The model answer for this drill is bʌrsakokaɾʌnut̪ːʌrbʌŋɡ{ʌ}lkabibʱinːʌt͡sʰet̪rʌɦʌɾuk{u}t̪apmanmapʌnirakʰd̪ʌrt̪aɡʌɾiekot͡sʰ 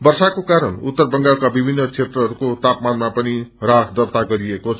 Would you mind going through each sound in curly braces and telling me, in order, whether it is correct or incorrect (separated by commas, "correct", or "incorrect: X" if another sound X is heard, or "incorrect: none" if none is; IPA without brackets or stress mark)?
incorrect: a, incorrect: o